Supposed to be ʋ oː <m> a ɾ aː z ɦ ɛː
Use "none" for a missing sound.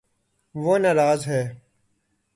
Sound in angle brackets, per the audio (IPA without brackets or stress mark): n